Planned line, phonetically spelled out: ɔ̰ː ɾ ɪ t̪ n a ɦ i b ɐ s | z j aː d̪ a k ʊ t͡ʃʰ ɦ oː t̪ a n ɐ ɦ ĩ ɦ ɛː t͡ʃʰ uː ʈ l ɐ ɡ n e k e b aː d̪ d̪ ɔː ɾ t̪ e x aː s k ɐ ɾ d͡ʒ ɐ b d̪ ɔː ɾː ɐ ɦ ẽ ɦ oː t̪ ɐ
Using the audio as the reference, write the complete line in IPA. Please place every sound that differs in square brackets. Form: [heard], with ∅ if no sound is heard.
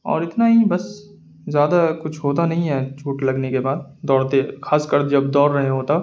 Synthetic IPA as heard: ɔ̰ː ɾ ɪ t̪ n a ɦ i b ɐ s | z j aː d̪ a k ʊ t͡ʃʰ ɦ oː t̪ a n ɐ ɦ ĩ ɦ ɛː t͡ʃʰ uː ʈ l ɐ ɡ n e k e b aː d̪ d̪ ɔː ɾ t̪ e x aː s k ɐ ɾ d͡ʒ ɐ b d̪ ɔː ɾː ɐ ɦ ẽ ɦ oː t̪ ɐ